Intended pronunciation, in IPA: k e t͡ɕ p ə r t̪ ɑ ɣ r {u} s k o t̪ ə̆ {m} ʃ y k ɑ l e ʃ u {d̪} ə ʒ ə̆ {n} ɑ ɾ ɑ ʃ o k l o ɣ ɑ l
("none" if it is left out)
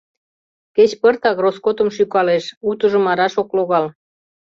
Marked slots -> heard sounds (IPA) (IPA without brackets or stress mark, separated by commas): o, m, t̪, m